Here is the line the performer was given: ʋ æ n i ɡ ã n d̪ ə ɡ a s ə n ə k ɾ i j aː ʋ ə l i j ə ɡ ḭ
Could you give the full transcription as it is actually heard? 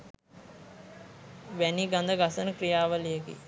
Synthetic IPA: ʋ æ n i ɡ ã n d̪ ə ɡ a s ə n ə k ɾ i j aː ʋ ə l i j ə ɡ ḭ

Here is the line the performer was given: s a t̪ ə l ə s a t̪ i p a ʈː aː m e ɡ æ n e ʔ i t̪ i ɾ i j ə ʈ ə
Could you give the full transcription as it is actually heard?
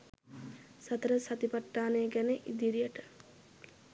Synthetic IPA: s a t̪ ə ɾ ə s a t̪ i p a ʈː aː n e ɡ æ n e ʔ i d̪ i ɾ i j ə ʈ ə

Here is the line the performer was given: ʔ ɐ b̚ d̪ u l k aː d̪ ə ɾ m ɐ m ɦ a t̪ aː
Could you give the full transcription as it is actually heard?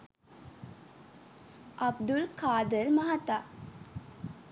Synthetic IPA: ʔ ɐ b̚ d̪ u l k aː d̪ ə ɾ m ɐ ɦ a t̪ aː

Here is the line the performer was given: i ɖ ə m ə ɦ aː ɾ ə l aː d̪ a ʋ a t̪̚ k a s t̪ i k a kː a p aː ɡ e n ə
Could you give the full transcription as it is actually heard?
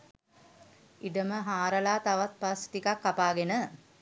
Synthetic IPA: i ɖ ə m ə ɦ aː ɾ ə l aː t̪ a ʋ a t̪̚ p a s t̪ i k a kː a p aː ɡ e n ə

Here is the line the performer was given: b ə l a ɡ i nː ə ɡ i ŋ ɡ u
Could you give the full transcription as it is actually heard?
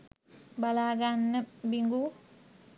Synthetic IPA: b a l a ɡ a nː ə b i ŋ ɡ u

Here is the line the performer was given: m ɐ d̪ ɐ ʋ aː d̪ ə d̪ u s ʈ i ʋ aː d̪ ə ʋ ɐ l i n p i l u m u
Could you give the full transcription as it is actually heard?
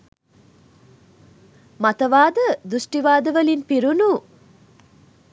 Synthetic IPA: m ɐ t̪ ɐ ʋ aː d̪ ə d̪ u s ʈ i ʋ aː d̪ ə ʋ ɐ l i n p i ɾ u n u

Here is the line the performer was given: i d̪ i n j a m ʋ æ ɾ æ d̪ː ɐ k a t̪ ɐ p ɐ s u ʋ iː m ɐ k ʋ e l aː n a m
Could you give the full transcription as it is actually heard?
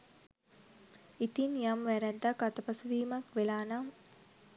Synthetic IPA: i t̪ i n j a m ʋ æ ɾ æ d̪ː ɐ k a t̪ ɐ p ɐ s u ʋ iː m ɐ k ʋ e l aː n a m

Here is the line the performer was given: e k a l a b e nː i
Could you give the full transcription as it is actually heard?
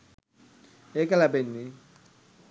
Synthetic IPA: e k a l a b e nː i

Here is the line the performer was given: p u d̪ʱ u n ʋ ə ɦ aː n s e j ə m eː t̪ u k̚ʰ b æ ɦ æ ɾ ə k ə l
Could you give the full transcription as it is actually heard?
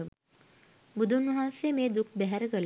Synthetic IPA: b u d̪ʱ u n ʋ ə ɦ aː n s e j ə m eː d̪ u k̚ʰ b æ ɦ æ ɾ ə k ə l

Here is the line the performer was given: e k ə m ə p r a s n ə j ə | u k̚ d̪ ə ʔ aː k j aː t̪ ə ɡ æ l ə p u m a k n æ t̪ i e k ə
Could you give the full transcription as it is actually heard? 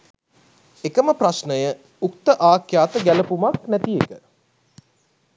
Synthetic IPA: e k ə m ə p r a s n ə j ə | u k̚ t̪ ə ʔ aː k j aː t̪ ə ɡ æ l ə p u m a k n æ t̪ i e k ə

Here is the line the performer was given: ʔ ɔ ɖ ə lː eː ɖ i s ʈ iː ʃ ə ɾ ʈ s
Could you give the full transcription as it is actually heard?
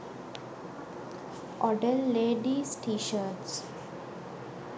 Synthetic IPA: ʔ ɔ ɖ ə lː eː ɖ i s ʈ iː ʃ ə ɾ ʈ s

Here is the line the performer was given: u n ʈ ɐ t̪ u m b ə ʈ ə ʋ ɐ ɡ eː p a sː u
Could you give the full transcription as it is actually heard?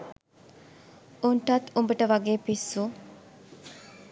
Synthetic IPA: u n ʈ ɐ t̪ u m b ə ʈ ə ʋ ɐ ɡ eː p i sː u

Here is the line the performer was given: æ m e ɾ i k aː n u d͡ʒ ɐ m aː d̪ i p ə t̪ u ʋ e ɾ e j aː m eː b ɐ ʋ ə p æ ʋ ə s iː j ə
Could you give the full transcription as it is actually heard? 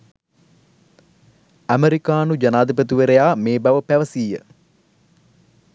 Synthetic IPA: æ m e ɾ i k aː n u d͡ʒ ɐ n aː d̪ i p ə t̪ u ʋ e ɾ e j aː m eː b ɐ ʋ ə p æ ʋ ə s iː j ə

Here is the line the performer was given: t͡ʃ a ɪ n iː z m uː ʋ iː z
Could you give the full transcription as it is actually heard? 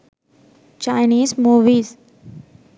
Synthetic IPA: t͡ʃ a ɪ n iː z m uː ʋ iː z

